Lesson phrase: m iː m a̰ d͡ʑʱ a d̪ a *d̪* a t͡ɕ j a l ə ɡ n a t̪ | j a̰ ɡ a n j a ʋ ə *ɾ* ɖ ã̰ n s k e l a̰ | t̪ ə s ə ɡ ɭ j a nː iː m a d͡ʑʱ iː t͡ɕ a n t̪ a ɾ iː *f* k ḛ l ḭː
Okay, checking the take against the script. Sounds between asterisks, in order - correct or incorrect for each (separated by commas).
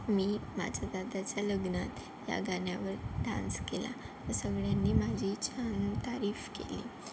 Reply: correct, correct, correct